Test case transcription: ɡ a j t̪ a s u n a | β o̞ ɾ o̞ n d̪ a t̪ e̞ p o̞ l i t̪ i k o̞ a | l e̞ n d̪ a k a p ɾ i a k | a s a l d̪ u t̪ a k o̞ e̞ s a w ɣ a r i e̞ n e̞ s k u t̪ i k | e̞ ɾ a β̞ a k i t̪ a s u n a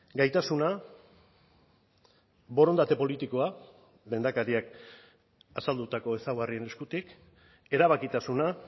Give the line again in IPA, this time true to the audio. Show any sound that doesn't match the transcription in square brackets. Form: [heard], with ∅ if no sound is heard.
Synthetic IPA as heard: ɡ a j t̪ a s u n a | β o̞ ɾ o̞ n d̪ a t̪ e̞ p o̞ l i t̪ i k o̞ a | l e̞ n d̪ a k a [∅] ɾ i a k | a s a l d̪ u t̪ a k o̞ e̞ s a w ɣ a r i e̞ n e̞ s k u t̪ i k | e̞ ɾ a β̞ a k i t̪ a s u n a